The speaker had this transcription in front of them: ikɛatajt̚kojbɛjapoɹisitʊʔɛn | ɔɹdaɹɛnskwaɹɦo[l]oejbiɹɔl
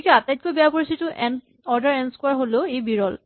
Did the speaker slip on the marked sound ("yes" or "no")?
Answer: no